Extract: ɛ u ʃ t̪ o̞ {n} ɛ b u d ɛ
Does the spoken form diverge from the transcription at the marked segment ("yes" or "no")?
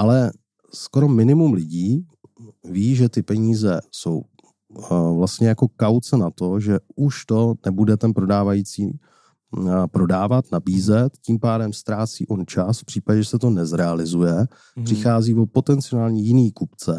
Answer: no